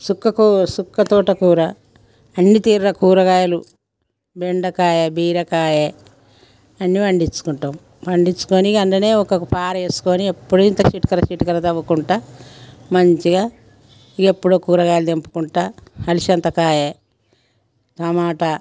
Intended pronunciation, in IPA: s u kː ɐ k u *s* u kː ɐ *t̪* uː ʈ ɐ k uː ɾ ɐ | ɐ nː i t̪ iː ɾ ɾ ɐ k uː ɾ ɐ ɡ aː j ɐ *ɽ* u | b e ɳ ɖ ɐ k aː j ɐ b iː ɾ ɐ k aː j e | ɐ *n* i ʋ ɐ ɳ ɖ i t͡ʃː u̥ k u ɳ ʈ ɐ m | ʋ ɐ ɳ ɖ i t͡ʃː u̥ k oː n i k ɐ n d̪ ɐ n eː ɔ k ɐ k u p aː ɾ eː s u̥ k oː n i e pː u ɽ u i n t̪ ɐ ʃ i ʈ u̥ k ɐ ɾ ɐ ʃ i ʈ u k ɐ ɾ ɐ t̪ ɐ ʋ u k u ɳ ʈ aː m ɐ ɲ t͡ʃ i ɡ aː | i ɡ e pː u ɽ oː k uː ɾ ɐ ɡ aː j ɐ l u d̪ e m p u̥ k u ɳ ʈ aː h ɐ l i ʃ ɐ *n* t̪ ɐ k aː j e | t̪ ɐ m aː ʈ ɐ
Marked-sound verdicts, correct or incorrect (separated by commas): correct, correct, incorrect, incorrect, correct